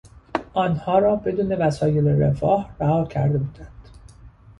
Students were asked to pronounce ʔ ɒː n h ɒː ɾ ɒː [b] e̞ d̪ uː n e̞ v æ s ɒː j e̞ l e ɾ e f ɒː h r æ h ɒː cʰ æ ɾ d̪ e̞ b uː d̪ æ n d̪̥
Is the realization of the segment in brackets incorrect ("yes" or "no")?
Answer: no